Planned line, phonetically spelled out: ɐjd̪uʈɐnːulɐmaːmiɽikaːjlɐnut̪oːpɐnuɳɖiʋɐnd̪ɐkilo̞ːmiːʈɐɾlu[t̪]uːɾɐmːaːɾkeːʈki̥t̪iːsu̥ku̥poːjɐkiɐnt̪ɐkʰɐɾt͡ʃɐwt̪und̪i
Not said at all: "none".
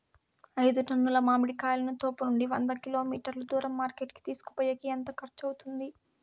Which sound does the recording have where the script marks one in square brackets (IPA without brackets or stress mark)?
d̪